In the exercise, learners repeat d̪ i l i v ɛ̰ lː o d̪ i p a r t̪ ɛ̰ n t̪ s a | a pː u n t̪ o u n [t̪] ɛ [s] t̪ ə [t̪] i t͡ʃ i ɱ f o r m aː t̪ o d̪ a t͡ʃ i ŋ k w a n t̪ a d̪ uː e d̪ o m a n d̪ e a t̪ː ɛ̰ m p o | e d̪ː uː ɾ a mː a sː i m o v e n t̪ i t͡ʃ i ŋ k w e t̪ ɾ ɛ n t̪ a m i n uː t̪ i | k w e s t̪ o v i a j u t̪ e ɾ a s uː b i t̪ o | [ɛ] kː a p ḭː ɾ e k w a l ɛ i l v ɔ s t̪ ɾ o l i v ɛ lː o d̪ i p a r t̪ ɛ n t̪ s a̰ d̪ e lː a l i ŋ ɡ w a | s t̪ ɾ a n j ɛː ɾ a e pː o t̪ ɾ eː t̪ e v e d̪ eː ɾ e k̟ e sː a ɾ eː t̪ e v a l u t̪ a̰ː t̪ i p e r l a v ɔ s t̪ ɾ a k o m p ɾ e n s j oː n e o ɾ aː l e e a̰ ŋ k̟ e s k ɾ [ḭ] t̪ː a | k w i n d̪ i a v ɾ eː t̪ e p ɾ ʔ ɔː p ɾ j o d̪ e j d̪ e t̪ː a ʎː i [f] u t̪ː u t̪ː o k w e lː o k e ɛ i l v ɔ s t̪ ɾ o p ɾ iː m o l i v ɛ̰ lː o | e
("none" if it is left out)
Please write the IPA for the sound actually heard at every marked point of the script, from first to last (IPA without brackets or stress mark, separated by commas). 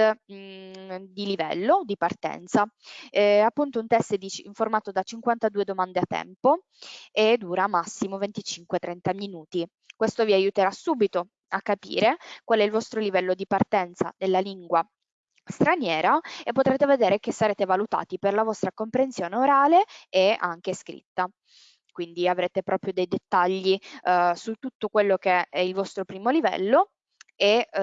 t̪, s, d̪, a, ḭ, s